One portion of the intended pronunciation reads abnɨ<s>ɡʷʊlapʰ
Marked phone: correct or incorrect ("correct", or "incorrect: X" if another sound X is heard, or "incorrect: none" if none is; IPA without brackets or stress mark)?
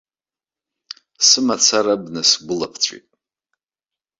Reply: correct